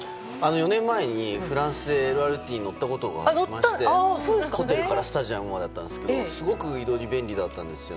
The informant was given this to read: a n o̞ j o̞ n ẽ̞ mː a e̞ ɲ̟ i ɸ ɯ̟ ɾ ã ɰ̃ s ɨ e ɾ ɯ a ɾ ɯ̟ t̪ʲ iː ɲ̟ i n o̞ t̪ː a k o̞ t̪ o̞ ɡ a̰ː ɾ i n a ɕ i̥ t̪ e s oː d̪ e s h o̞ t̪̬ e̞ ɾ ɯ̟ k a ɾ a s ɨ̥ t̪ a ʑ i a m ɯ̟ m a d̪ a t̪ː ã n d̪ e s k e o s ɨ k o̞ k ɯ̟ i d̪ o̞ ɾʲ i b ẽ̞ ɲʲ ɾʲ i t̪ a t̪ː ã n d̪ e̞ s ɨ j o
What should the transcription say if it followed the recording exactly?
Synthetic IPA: a n o̞ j o̞ n ẽ̞ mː a e̞ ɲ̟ i ɸ ɯ̟ ɾ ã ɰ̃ s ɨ e ɾ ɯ a ɾ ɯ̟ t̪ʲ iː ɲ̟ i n o̞ t̪ː a k o̞ t̪ o̞ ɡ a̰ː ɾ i m a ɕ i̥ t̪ e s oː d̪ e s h o̞ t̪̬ e̞ ɾ ɯ̟ k a ɾ a s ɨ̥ t̪ a ʑ i a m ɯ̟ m a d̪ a t̪ː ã n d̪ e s k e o s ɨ ɡ o̞ k ɯ̟ i d̪ o̞ ɾʲ i b ẽ̞ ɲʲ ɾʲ i d̪ a t̪ː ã n d̪ e̞ s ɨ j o